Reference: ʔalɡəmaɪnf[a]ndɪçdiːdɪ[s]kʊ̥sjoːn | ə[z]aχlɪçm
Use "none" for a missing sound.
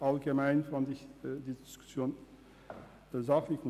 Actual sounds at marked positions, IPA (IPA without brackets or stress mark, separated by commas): a, s, z